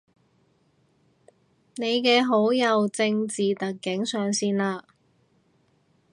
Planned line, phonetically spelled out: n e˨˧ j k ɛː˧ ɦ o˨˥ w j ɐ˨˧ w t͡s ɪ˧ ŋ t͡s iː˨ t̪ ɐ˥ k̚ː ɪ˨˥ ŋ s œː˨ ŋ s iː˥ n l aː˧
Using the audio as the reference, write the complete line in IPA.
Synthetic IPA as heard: n e˨˧ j k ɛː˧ ɦ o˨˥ w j ɐ˨˧ w t͡s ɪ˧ ŋ t͡s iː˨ t̪ ɐ˨ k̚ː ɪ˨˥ ŋ s œː˨ ŋ s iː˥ n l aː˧